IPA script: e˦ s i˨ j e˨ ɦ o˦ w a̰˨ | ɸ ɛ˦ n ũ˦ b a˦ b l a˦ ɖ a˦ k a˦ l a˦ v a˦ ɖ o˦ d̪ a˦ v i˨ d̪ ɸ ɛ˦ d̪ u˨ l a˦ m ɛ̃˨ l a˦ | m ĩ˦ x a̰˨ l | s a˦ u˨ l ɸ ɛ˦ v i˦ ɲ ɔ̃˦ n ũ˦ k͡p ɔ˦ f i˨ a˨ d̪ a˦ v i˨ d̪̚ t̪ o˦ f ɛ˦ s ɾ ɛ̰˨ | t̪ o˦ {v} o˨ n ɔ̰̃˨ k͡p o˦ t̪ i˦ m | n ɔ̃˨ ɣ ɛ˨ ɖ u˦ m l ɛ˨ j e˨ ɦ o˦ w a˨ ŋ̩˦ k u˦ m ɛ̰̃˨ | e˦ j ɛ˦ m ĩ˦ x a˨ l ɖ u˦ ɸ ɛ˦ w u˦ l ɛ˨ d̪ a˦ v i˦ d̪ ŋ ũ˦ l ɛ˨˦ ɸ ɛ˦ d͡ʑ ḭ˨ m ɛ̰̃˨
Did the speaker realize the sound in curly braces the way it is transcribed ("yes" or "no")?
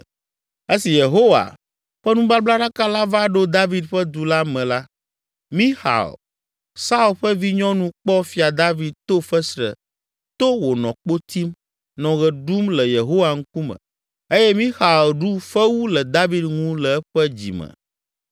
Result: no